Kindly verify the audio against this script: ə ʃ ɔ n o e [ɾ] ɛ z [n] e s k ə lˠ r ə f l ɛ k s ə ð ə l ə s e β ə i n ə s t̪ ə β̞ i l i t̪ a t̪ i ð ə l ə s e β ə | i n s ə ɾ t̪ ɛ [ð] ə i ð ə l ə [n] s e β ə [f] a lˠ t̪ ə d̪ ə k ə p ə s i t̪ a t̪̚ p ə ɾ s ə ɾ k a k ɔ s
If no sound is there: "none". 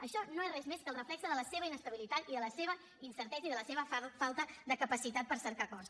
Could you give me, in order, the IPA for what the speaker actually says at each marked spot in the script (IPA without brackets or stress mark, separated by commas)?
r, m, z, none, f